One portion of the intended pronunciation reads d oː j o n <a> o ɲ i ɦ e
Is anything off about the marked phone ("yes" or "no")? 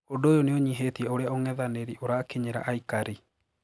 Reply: yes